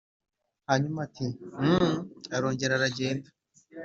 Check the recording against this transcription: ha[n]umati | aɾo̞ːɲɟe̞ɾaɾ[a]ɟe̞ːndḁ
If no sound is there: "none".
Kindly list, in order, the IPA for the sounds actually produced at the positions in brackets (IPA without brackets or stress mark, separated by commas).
ɲ, a